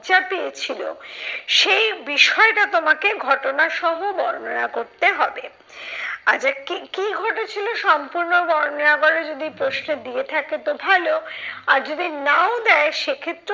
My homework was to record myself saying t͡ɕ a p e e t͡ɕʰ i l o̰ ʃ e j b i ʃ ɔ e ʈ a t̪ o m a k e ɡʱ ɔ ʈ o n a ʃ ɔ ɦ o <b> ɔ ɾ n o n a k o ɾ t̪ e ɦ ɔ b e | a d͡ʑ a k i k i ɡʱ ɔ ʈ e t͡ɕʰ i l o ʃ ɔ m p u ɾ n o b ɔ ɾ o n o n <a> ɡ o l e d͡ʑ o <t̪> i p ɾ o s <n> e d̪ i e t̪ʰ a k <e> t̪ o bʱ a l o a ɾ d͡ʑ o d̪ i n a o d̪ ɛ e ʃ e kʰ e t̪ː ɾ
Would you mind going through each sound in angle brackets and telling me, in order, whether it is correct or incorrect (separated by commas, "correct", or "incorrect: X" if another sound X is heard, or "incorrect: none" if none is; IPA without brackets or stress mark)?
correct, correct, incorrect: d̪, correct, correct